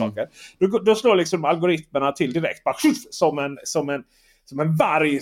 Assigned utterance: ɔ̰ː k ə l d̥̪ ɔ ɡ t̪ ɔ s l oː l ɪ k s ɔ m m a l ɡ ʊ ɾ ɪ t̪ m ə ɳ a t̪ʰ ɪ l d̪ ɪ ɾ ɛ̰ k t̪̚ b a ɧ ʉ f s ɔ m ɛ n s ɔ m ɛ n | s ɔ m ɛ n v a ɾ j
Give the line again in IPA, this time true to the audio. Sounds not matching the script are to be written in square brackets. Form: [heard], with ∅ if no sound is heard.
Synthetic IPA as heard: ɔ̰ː k ə [ɾ] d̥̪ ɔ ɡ [d̪] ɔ s l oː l ɪ k s ɔ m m a l ɡ ʊ ɾ ɪ t̪ m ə ɳ a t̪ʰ ɪ l d̪ ɪ ɾ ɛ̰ k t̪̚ b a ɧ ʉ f s ɔ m ɛ n s ɔ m ɛ n | s ɔ m ɛ n v a ɾ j